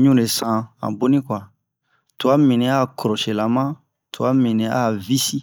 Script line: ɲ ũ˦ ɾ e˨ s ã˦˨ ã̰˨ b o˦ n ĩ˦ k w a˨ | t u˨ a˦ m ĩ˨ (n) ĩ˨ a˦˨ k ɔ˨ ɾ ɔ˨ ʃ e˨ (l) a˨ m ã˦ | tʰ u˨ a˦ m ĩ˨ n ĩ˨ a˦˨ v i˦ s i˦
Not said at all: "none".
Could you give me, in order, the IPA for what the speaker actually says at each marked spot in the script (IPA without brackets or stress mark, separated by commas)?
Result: n, l